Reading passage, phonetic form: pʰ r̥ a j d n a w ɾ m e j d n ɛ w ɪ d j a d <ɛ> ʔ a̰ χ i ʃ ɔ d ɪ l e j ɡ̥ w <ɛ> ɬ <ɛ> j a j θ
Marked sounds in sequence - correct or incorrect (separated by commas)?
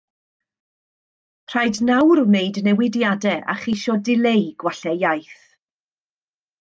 correct, incorrect, correct